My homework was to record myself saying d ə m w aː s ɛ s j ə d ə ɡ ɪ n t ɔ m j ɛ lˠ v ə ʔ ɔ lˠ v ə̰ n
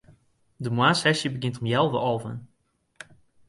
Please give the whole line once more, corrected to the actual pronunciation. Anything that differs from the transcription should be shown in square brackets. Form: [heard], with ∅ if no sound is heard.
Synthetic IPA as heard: d ə m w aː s ɛ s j ə [b] ə ɡ ɪ n t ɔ m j ɛ lˠ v ə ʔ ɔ lˠ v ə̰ n